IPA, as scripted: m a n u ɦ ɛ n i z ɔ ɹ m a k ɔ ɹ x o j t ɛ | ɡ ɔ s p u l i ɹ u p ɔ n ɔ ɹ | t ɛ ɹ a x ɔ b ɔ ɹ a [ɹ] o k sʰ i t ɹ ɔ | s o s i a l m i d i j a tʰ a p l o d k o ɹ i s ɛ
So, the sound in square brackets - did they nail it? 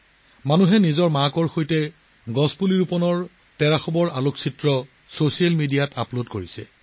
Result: no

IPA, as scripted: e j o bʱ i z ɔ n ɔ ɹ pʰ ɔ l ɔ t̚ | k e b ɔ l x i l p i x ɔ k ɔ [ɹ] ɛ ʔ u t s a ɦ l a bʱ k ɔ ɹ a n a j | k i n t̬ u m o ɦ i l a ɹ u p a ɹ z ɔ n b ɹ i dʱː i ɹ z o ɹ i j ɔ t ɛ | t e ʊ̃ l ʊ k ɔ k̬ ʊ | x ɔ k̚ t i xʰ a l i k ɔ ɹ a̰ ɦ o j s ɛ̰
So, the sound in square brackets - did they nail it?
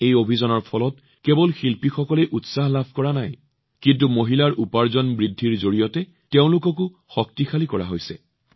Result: no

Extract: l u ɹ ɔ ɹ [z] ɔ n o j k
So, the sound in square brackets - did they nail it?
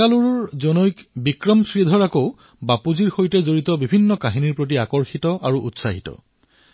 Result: yes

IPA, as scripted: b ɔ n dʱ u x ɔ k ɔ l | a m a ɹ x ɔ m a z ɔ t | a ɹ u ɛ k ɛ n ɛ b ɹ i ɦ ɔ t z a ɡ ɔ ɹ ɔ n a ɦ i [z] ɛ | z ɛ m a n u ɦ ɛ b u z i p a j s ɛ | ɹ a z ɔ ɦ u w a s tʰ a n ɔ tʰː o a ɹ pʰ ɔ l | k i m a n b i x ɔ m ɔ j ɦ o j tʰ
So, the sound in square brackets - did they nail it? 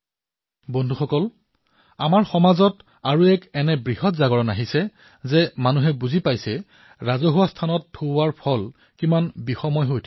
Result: no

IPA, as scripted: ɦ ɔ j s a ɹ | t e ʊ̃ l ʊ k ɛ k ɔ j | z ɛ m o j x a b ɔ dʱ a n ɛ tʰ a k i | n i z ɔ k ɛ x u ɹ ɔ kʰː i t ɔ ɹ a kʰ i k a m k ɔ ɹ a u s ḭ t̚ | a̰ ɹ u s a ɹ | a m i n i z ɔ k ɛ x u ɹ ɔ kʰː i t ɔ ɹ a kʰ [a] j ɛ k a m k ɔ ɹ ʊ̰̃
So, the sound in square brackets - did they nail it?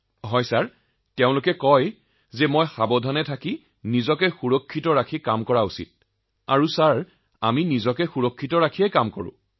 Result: no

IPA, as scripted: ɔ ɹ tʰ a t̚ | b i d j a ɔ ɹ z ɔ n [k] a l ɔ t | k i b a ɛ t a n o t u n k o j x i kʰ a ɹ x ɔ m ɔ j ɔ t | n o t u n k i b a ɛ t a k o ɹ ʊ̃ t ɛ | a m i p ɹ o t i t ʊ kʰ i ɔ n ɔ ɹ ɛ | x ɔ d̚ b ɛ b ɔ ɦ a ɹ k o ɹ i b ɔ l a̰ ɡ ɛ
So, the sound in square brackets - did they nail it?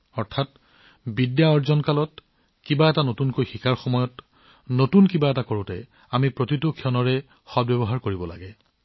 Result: yes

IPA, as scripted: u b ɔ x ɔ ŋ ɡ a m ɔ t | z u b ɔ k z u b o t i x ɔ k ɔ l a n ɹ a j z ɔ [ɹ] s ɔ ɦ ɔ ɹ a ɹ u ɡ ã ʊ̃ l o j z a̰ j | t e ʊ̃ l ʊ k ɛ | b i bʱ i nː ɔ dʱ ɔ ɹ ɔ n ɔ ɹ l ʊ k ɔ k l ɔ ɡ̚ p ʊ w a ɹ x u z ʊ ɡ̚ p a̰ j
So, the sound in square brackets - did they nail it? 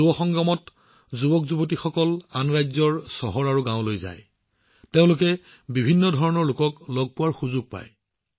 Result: yes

